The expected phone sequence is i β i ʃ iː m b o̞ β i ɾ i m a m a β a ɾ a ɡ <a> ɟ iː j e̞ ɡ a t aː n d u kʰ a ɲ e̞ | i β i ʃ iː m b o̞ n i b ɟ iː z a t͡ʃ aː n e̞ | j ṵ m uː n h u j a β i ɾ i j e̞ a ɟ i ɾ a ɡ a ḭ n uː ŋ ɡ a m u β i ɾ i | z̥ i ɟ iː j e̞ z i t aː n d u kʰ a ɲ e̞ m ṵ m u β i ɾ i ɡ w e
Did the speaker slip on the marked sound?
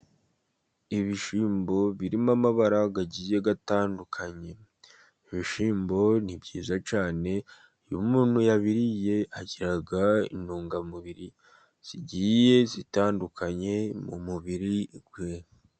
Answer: no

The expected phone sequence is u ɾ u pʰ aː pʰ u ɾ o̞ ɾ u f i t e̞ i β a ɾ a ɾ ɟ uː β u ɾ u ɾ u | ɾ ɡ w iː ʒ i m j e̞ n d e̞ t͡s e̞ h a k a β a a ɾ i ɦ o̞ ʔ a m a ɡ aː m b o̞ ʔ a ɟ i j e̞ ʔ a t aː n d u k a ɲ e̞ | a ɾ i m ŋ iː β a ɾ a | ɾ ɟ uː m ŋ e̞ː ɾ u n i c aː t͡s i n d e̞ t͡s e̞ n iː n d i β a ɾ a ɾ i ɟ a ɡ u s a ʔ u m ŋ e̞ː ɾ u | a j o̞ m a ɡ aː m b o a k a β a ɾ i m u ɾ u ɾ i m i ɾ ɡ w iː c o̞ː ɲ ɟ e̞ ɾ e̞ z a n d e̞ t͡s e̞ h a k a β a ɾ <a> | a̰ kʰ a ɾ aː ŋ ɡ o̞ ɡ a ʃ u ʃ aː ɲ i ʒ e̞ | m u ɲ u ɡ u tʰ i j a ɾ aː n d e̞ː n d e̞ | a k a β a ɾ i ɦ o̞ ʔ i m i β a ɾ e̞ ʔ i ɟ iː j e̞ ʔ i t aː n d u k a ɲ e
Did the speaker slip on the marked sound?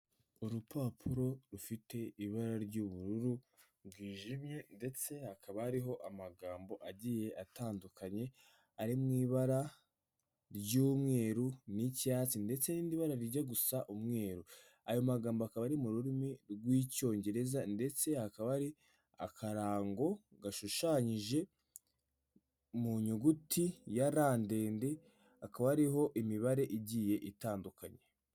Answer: yes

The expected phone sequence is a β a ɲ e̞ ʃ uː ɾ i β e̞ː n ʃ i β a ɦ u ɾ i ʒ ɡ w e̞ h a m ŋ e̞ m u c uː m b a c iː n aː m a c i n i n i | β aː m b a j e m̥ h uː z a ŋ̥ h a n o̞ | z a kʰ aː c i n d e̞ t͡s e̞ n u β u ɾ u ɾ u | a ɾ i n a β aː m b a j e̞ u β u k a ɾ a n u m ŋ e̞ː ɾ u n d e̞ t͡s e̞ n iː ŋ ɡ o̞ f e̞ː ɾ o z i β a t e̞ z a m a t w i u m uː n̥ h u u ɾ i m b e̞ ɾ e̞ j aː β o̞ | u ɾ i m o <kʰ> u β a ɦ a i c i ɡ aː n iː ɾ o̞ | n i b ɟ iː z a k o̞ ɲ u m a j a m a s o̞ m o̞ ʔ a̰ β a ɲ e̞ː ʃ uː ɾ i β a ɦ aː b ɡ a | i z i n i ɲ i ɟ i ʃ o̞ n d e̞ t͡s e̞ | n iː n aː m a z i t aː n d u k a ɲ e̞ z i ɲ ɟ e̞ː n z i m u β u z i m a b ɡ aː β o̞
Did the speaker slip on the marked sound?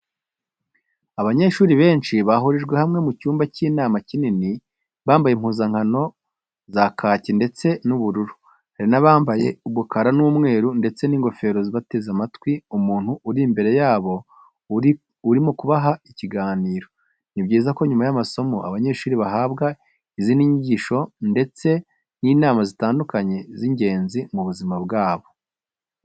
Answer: yes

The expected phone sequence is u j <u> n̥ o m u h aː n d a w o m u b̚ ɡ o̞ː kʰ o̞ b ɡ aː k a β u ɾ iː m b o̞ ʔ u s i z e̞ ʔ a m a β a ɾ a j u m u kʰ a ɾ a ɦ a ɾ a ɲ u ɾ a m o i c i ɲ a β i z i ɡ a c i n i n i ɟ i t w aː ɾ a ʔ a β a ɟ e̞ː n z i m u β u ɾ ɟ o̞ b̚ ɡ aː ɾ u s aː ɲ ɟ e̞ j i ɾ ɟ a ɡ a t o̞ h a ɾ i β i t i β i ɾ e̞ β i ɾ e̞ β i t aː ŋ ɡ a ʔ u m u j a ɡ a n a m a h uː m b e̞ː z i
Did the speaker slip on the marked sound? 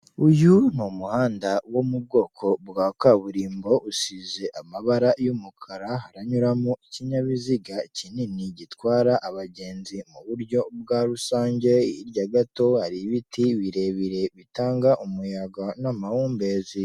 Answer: no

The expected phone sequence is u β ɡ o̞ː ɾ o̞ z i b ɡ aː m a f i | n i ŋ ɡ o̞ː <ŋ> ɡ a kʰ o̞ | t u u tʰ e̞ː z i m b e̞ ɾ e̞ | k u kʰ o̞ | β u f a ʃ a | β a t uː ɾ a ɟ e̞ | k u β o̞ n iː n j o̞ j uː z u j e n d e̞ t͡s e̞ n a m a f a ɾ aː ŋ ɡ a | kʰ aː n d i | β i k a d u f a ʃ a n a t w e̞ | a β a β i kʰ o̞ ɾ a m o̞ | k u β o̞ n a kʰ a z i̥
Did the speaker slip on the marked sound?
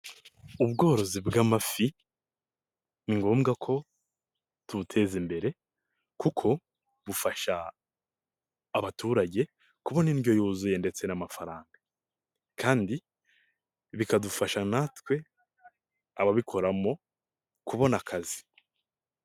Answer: yes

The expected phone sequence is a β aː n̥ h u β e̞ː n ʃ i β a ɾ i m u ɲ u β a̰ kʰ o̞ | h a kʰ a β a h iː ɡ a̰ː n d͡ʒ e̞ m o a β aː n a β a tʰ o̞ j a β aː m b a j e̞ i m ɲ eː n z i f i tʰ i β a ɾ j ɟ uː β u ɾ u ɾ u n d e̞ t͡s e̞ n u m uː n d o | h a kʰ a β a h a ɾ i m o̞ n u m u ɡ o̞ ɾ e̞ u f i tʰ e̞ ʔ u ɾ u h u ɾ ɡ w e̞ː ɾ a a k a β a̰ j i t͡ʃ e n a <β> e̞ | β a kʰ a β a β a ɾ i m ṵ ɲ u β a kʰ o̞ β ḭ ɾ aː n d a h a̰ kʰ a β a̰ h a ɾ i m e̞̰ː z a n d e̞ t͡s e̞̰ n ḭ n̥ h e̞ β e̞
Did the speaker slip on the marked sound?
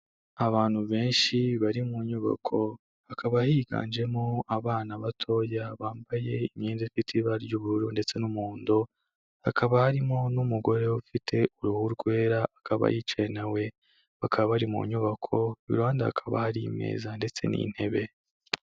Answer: yes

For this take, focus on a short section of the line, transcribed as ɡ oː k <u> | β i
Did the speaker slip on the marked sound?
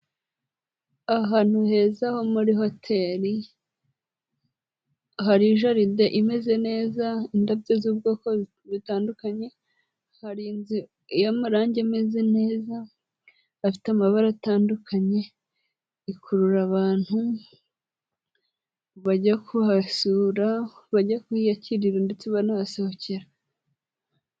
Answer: yes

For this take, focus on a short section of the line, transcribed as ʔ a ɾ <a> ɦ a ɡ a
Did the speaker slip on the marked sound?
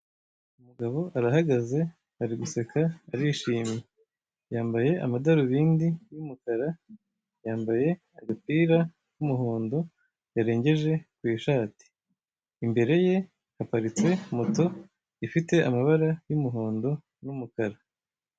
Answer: no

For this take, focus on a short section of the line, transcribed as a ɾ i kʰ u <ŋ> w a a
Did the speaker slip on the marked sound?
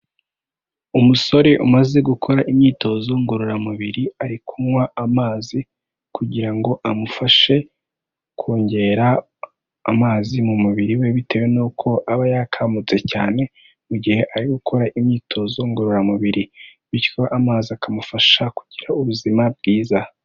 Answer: yes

